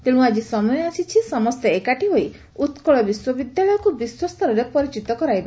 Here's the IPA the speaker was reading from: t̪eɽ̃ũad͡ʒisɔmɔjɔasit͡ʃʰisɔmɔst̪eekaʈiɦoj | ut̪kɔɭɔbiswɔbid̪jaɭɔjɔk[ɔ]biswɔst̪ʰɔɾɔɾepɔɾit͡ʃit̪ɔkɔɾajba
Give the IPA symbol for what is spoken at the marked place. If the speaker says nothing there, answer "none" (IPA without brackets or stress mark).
u